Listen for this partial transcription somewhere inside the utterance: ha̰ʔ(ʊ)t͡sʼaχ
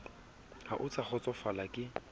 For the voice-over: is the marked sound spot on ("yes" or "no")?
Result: yes